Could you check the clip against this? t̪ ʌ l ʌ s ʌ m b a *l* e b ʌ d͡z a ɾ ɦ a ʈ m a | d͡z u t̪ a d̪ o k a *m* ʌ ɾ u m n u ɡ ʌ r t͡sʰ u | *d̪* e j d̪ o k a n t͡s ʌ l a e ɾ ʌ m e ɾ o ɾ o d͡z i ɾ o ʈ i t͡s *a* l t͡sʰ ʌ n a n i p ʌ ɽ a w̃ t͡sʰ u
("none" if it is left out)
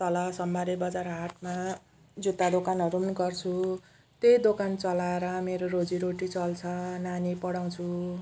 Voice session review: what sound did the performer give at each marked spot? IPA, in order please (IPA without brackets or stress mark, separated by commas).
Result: ɾ, n, t̪, ʌ